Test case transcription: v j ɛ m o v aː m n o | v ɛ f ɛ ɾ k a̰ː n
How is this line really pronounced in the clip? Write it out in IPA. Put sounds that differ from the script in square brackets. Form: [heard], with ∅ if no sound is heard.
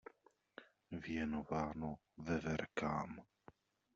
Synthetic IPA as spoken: v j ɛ [n] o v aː [∅] n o | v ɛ [v] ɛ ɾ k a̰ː [m]